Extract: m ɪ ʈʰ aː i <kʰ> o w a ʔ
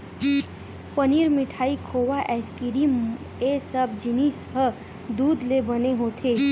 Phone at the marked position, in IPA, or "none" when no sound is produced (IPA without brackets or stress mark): kʰ